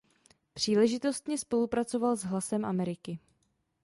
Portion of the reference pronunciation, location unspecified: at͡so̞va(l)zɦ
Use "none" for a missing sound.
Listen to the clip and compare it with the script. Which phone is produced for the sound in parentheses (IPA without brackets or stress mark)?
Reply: l